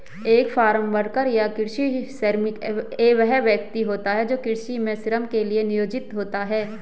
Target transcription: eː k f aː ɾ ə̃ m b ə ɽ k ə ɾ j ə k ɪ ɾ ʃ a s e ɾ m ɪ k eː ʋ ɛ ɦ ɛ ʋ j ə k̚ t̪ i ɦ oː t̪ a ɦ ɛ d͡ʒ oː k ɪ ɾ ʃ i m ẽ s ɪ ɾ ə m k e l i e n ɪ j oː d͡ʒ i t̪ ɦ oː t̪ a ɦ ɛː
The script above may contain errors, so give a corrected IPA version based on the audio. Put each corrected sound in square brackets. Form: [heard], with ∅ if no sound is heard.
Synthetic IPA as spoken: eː k f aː ɾ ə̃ m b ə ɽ k ə ɾ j [a] k ɪ ɾ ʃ [i] s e ɾ m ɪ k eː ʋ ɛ ɦ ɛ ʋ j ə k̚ t̪ i ɦ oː t̪ a ɦ ɛ d͡ʒ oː k ɪ ɾ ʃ i m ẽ s ɪ ɾ ə m k e l i e n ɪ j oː d͡ʒ [ɪ] t̪ ɦ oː t̪ a ɦ ɛː